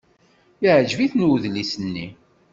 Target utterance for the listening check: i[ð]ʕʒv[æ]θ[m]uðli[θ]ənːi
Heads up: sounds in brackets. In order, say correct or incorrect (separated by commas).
incorrect, incorrect, incorrect, incorrect